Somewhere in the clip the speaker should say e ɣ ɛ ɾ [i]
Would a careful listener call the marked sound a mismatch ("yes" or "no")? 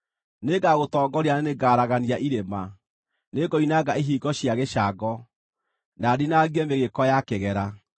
yes